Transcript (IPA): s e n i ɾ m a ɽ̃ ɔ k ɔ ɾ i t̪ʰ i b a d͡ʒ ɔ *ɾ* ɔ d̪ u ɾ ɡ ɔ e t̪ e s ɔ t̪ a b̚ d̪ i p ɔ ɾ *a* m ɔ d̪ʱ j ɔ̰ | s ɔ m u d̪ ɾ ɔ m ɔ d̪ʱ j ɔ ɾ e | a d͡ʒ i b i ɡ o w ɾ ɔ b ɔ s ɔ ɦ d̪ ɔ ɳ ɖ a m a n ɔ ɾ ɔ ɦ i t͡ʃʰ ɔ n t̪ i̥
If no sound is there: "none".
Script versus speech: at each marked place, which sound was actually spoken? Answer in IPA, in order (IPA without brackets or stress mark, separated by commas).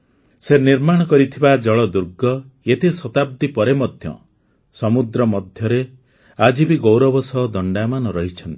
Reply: ɭ, e